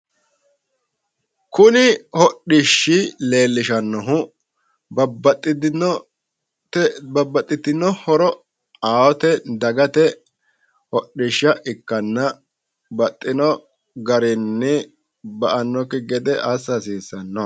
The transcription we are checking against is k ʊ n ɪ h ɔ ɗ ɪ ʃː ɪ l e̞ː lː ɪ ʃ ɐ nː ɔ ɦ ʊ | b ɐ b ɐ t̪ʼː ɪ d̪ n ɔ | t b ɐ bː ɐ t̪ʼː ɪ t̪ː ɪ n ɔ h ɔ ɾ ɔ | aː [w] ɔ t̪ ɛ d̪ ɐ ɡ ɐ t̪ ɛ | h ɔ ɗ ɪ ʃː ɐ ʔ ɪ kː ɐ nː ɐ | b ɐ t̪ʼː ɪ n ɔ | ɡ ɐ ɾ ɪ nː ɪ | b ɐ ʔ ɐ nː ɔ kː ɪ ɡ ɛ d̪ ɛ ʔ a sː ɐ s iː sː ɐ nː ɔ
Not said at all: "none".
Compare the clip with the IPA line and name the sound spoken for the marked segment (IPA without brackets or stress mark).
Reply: w